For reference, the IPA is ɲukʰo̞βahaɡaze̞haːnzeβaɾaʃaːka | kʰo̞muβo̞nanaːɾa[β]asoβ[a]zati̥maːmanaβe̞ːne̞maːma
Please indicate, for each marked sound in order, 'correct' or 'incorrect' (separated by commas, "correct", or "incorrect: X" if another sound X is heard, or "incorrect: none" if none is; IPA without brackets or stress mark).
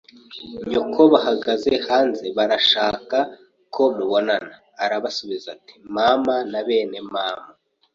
correct, incorrect: i